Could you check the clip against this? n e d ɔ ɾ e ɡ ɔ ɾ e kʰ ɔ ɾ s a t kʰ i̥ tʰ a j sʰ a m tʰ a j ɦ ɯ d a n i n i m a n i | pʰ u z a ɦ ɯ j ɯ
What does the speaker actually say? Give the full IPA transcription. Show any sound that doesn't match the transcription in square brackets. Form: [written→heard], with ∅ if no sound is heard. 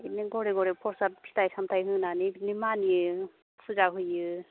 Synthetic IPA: n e [d→ɡ] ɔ ɾ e ɡ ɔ ɾ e [kʰ→pʰ] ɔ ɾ s a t [kʰ→pʰ] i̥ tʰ a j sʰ a m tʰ a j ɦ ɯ [d→n] a n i n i m a n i | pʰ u z a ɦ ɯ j ɯ